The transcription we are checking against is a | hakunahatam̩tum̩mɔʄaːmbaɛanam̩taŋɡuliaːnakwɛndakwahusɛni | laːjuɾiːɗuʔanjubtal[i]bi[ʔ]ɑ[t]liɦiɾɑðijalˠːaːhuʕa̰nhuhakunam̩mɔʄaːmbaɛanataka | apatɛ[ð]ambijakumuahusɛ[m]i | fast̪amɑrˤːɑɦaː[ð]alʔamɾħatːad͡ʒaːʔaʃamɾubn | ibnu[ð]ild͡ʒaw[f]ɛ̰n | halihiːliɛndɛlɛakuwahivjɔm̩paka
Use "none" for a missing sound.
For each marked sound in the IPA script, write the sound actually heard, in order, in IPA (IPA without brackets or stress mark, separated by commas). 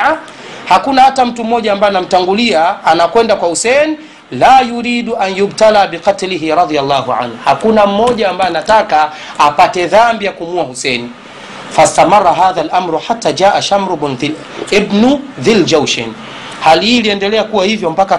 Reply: a, q, t, ð, n, ð, ð, ʃ